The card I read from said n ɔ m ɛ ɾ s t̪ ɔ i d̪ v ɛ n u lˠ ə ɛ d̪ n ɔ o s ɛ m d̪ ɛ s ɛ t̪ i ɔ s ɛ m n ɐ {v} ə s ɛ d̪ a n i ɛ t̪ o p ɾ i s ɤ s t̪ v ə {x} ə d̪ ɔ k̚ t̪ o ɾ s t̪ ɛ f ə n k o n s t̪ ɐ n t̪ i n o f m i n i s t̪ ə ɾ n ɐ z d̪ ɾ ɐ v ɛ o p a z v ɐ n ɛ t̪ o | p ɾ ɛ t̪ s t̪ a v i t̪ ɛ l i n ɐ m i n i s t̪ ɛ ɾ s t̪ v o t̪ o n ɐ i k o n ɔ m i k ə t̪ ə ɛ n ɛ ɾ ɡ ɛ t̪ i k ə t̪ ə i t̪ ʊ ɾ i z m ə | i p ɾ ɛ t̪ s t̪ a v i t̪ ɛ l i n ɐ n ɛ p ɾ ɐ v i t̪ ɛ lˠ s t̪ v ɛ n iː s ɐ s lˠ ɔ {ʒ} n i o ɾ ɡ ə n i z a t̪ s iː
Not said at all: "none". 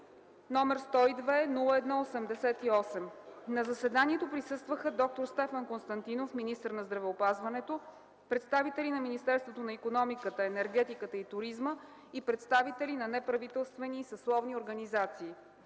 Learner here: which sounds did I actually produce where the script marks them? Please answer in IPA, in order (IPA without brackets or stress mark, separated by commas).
z, x, v